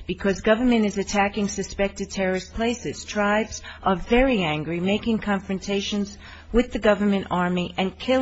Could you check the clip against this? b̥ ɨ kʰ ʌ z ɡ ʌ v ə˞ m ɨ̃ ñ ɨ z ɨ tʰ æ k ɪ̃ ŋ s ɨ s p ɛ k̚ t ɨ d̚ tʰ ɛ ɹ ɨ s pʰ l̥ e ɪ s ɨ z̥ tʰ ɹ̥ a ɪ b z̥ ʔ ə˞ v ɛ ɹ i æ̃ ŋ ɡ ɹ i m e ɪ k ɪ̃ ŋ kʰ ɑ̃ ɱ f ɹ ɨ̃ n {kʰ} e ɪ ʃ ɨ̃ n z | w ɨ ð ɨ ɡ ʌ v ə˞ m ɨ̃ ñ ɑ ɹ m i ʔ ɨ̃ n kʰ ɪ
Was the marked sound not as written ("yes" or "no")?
yes